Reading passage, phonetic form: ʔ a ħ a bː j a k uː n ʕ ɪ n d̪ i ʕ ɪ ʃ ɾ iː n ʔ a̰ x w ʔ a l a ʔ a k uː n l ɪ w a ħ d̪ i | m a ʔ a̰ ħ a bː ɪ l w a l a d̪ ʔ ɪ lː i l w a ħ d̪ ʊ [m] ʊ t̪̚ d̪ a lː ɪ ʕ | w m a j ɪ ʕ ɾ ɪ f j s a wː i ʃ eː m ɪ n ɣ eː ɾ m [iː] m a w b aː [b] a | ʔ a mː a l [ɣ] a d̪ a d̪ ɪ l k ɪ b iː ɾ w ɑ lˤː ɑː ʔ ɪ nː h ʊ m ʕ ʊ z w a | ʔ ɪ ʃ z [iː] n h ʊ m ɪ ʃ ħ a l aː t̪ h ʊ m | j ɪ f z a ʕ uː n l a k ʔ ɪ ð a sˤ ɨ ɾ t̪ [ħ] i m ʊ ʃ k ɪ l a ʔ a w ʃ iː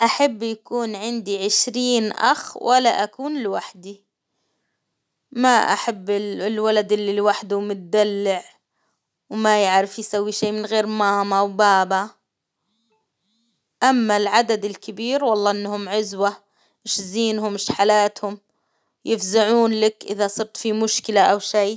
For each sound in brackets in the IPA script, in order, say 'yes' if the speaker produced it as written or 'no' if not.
yes, no, yes, no, yes, no

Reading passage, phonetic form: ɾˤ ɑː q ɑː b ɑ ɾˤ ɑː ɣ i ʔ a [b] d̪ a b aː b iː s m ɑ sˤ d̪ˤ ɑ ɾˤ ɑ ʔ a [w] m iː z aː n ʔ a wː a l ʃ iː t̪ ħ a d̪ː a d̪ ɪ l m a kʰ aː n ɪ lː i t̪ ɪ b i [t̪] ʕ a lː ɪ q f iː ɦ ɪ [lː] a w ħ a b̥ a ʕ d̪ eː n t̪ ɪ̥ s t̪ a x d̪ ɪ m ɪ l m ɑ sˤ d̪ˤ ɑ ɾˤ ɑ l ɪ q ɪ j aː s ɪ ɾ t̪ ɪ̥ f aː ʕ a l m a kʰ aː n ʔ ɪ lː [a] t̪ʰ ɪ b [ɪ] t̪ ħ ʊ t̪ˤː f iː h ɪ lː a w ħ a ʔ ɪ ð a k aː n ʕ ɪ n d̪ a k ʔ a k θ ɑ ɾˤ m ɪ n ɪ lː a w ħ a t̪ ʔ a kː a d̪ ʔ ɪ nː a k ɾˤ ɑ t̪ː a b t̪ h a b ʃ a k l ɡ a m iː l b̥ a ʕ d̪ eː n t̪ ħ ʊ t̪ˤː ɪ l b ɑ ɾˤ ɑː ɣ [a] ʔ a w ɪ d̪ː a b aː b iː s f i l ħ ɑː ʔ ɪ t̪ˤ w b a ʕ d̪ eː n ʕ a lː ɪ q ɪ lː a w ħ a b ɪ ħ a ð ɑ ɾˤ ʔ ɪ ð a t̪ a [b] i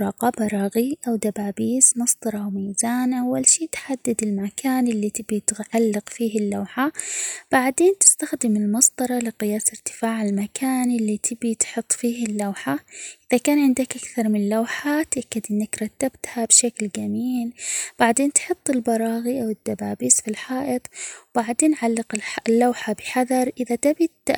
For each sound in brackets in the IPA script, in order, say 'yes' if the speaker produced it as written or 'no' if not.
no, yes, yes, yes, no, no, no, yes

